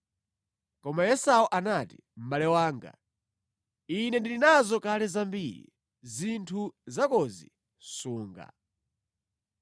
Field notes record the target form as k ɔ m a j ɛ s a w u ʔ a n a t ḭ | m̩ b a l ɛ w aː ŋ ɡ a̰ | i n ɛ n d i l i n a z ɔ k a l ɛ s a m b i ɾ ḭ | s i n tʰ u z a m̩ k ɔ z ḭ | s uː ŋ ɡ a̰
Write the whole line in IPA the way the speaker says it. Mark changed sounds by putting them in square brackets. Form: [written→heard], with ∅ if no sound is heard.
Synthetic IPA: k ɔ m a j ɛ s a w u ʔ a n a t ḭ | m̩ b a l ɛ w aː ŋ ɡ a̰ | i n ɛ n d i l i n a z ɔ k a l ɛ [s→z] a m b i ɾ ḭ | [s→z] i n tʰ u z a [m̩→∅] k ɔ z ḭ | s uː ŋ ɡ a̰